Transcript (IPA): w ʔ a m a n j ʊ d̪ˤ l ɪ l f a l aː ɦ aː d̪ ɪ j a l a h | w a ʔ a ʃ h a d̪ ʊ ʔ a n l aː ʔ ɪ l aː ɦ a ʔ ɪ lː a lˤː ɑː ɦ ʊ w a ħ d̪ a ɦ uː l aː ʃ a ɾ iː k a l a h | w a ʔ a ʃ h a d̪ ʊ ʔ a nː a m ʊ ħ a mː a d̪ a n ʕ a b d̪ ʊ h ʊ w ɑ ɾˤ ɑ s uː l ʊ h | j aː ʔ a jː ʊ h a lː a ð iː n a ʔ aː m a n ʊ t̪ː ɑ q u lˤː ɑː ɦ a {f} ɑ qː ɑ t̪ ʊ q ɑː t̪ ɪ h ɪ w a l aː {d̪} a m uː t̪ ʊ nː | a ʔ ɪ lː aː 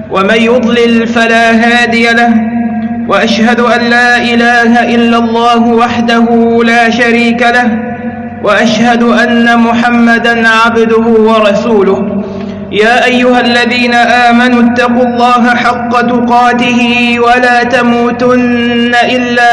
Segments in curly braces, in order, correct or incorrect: incorrect: ħ, incorrect: t̪

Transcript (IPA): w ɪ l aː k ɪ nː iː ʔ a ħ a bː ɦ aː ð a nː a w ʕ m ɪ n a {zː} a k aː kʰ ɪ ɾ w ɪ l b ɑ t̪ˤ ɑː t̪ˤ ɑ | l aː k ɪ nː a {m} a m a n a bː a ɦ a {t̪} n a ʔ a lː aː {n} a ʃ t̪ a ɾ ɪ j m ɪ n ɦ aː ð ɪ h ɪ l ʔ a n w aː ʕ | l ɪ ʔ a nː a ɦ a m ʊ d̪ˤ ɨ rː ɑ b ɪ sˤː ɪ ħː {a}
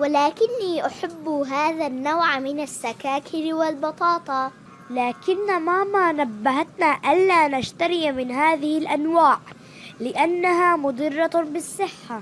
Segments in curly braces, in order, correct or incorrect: incorrect: sː, correct, correct, correct, correct

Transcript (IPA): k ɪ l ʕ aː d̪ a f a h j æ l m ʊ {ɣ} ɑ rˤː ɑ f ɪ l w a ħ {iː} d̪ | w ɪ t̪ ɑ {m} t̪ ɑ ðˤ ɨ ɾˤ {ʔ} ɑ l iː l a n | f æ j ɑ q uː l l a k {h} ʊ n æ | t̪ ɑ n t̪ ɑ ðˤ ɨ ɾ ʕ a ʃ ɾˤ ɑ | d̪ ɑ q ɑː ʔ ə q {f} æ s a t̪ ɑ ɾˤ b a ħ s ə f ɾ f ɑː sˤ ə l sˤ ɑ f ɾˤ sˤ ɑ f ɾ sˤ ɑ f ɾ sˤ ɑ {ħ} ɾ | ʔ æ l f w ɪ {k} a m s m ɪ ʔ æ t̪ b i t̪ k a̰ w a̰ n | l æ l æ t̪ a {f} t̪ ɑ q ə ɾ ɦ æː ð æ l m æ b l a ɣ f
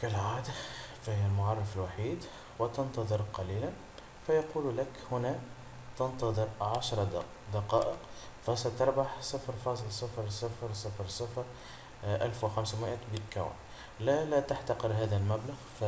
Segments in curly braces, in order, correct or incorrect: incorrect: ʕ, correct, incorrect: n, incorrect: q, correct, correct, incorrect: f, incorrect: x, incorrect: ħ

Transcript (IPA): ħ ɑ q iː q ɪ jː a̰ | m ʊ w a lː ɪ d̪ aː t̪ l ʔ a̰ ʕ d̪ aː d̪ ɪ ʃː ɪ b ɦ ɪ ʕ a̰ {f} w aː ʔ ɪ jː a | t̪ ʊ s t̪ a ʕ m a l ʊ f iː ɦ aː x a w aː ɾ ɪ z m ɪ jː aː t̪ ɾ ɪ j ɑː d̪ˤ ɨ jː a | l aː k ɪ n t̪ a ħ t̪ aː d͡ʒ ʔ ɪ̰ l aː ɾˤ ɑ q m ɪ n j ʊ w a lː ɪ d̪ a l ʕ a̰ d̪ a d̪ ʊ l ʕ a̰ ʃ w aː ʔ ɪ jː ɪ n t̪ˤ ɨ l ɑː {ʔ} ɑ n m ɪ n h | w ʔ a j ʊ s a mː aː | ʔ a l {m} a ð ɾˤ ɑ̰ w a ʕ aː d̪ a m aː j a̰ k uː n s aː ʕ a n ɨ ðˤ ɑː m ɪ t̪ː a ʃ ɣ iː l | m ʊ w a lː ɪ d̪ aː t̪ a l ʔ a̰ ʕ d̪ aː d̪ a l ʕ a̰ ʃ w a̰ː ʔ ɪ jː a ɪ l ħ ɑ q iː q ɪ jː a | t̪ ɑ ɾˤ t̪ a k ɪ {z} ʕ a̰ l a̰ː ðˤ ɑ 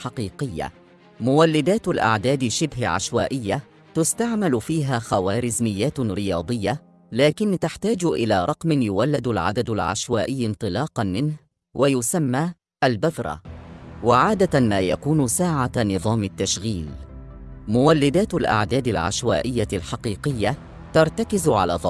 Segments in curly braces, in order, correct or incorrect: incorrect: ʃ, incorrect: q, incorrect: b, correct

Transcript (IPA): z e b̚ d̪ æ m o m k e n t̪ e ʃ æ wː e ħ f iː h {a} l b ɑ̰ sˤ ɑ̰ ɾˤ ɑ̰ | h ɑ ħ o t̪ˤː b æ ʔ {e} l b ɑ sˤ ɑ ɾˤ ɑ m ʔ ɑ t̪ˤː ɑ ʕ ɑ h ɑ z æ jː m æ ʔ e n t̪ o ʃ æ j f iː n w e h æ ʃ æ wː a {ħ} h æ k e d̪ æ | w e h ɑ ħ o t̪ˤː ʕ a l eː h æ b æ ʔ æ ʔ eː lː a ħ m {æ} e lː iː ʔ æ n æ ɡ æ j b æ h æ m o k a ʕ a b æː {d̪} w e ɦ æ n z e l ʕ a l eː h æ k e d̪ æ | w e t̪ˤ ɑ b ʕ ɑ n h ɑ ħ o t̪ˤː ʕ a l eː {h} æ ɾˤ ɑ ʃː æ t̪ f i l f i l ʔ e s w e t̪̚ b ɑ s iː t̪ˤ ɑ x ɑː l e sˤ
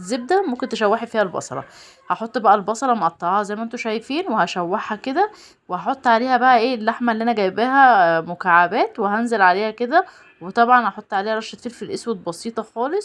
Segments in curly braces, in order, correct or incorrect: incorrect: æ, incorrect: æ, correct, correct, incorrect: t̪, correct

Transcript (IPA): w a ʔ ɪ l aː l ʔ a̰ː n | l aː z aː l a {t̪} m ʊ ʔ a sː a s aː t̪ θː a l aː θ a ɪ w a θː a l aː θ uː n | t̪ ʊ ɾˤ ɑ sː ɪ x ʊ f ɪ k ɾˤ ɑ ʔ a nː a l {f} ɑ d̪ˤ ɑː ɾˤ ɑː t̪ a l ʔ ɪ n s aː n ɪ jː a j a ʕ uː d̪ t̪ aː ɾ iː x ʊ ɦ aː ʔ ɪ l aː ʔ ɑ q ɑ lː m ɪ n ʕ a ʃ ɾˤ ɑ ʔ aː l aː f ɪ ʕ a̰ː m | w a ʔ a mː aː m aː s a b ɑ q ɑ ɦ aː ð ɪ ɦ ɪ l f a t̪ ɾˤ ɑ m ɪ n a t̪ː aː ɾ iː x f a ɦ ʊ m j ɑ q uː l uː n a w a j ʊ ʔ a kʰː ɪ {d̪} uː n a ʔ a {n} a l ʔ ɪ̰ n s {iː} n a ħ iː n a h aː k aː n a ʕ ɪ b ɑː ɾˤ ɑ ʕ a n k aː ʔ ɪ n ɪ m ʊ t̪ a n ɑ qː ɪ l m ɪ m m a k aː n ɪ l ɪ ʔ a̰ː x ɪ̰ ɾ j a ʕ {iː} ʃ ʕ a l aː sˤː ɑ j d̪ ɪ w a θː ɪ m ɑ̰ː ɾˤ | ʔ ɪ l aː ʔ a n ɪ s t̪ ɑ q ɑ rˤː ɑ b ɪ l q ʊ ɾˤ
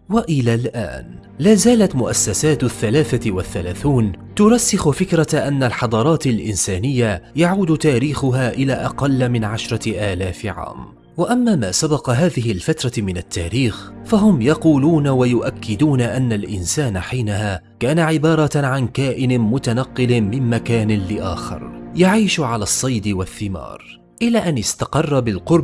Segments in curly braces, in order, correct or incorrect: correct, incorrect: ħ, correct, incorrect: nː, incorrect: aː, correct

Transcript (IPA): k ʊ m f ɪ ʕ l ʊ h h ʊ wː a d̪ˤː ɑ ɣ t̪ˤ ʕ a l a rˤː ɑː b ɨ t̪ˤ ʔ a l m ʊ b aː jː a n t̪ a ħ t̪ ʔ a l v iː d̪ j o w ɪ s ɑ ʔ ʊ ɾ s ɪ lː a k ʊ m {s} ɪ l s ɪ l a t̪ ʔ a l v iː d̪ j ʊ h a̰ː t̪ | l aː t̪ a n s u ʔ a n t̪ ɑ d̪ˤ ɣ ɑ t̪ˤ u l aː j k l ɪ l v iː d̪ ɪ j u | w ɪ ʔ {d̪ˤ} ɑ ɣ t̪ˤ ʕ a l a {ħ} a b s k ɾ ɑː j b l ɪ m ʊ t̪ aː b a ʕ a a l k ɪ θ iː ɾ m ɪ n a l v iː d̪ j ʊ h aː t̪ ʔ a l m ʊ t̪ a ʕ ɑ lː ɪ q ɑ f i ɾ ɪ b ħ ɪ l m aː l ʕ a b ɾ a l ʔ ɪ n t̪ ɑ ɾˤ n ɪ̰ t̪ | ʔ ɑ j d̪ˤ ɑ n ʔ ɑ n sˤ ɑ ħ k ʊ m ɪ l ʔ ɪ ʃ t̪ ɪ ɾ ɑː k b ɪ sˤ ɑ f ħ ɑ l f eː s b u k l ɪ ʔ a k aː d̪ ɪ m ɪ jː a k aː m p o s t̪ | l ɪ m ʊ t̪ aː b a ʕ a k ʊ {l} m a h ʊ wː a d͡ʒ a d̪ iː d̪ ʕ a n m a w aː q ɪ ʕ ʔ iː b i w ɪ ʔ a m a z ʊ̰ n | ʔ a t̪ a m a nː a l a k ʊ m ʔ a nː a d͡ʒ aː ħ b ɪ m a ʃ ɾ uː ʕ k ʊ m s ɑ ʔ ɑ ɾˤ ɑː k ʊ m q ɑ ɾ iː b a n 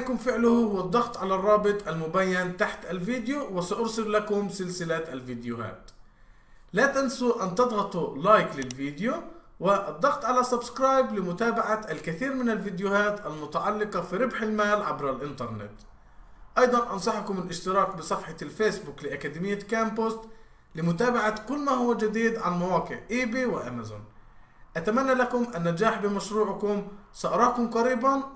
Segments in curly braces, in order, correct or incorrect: correct, incorrect: d̪ˤː, incorrect: s, incorrect: lː

